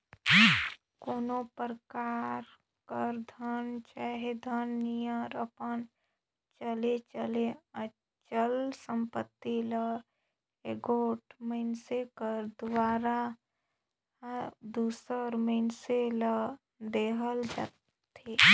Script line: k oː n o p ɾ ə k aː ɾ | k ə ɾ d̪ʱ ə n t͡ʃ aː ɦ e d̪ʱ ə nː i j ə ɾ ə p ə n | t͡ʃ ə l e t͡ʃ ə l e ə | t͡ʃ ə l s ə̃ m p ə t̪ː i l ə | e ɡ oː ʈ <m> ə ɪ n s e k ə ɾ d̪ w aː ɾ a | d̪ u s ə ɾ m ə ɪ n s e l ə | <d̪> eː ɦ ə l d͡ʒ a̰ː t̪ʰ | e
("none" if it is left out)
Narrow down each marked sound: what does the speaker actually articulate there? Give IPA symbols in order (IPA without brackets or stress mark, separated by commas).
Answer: m, d̪